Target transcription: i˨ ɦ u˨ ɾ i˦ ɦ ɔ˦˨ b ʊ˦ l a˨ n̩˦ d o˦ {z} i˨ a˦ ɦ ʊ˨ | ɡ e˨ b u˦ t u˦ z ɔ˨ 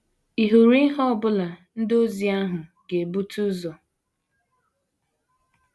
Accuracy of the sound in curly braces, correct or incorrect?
correct